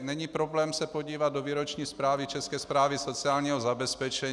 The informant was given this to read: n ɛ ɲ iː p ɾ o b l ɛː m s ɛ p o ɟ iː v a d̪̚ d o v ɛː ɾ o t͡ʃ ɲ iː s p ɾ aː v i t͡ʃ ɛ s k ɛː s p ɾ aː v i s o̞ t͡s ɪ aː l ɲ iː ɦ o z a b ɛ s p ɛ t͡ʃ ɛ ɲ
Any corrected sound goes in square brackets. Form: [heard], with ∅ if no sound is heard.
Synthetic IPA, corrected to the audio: n ɛ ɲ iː p ɾ o b l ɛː m s ɛ p o ɟ iː v a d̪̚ d o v [iː] ɾ o t͡ʃ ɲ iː s p ɾ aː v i t͡ʃ ɛ s k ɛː s p ɾ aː v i s o̞ t͡s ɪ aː l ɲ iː ɦ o z a b ɛ s p ɛ t͡ʃ ɛ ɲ